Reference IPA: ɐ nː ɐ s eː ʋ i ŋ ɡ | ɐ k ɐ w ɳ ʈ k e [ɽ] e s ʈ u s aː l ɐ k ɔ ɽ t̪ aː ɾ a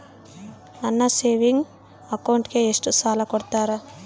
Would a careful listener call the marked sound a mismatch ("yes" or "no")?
yes